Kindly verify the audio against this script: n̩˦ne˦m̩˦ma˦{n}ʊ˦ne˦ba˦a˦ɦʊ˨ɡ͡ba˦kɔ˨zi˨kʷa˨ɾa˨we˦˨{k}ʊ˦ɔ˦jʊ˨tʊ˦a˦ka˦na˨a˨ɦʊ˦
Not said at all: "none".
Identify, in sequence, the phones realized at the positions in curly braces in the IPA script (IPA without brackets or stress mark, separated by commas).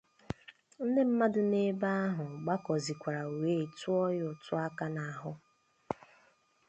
d, t